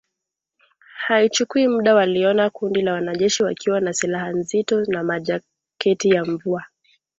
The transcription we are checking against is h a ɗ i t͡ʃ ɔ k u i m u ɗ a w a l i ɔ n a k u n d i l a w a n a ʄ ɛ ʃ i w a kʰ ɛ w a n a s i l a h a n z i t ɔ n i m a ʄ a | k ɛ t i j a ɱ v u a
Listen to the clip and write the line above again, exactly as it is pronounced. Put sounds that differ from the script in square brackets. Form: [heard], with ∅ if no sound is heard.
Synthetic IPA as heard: h a [∅] i t͡ʃ [u] k u i m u ɗ a w a l i ɔ n a k u n d i l a w a n a ʄ ɛ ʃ i w a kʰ [i] w a n a s i l a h a n z i t ɔ n [a] m a ʄ a | k ɛ t i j a ɱ v u a